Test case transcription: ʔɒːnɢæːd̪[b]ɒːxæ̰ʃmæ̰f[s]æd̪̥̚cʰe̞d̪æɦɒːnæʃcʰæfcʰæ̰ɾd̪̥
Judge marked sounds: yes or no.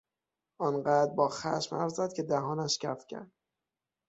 yes, no

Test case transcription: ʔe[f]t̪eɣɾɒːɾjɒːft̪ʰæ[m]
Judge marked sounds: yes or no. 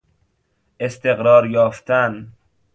no, no

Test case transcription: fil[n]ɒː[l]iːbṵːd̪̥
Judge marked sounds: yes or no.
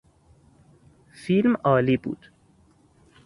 no, yes

